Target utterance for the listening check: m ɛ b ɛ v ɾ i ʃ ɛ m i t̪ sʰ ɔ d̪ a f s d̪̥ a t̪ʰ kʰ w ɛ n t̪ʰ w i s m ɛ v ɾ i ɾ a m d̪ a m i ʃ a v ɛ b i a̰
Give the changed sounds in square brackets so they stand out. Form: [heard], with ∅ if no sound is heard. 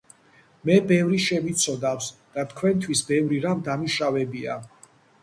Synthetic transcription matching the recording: m ɛ b ɛ v ɾ i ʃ ɛ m i t̪ sʰ ɔ d̪ a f s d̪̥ a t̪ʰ kʰ w ɛ n t̪ʰ w i s [b] ɛ v ɾ i ɾ a m d̪ a m i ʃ a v ɛ b i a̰